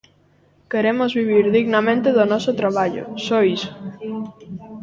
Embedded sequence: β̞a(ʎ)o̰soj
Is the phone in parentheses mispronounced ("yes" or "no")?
no